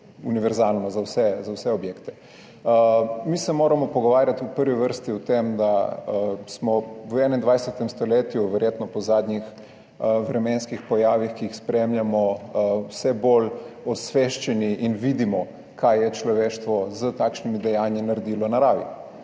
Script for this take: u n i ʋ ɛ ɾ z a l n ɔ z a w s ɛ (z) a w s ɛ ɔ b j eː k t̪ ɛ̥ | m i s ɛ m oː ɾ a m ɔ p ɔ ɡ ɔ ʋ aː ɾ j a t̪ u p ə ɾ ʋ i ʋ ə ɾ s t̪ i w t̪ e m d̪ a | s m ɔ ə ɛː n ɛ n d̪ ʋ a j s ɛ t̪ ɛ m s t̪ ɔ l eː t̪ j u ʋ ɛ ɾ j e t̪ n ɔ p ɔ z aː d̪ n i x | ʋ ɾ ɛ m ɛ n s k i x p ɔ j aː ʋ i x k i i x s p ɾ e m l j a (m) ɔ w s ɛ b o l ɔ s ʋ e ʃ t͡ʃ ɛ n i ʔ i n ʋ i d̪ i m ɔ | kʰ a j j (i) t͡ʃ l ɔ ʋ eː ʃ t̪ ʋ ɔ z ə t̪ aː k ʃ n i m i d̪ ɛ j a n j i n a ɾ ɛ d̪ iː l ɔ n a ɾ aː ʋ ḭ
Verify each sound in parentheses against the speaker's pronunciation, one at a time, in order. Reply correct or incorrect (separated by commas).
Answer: correct, correct, incorrect